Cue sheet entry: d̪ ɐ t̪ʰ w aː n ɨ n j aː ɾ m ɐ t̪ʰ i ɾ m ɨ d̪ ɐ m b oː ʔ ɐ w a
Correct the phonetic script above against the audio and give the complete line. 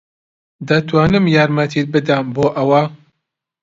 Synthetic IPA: d̪ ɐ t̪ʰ w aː n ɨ m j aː ɾ m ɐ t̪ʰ i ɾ b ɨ d̪ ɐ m b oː ʔ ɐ w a